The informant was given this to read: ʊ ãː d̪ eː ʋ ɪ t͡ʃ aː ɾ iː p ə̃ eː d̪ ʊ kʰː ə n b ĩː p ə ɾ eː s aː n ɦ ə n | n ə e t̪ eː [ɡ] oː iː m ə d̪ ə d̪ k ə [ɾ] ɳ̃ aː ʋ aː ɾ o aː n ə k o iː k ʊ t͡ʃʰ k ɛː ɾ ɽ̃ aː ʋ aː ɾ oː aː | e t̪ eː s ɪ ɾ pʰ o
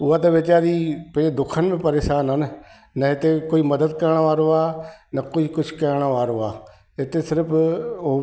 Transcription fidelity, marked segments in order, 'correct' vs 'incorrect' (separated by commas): incorrect, correct